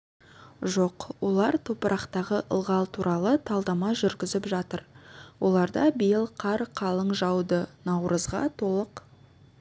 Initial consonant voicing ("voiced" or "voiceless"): voiced